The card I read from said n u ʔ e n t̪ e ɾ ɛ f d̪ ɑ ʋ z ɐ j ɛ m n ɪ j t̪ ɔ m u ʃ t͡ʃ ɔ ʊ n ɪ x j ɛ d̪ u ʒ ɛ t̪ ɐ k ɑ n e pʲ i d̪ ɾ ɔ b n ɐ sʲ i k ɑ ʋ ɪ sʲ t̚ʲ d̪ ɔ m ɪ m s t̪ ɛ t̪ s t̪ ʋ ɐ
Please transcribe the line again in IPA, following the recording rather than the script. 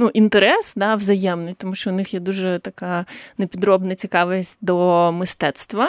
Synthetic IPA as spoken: n u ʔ i n t̪ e ɾ ɛ s d̪ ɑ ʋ z ɐ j ɛ m n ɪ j t̪ ɔ m u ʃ t͡ʃ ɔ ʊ n ɪ x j ɛ d̪ u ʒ ɛ t̪ ɐ k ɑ n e pʲ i d̪ ɾ ɔ b n ɐ t͡sʲ i k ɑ ʋ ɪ sʲ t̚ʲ d̪ ɔ m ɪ s t̪ ɛ t̪ s t̪ ʋ ɐ